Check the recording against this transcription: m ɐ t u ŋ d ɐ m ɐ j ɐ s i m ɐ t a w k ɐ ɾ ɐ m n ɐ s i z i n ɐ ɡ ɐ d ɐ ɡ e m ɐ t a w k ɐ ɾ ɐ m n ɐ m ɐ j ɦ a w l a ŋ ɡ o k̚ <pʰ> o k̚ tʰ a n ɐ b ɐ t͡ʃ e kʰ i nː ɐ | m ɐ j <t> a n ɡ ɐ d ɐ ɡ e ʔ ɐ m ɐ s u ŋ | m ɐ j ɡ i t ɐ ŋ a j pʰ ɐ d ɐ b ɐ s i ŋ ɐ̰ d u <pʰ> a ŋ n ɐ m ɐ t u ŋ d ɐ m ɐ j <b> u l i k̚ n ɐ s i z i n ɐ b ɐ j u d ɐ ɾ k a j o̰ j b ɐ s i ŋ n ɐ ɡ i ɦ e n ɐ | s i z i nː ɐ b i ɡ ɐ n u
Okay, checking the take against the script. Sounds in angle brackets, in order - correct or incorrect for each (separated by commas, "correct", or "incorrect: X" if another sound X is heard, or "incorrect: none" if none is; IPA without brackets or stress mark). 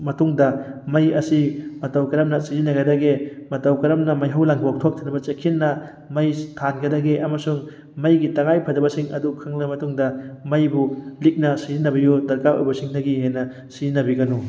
incorrect: tʰ, incorrect: tʰ, incorrect: kʰ, correct